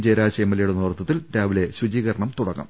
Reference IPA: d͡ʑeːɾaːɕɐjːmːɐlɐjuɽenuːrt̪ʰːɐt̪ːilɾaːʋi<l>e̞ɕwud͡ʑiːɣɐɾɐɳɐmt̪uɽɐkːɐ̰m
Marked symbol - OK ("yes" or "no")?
yes